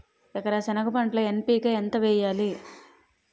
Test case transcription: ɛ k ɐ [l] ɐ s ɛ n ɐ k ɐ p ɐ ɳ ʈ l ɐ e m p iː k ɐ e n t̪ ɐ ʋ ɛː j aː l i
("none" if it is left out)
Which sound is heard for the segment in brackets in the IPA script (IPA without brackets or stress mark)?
ɾ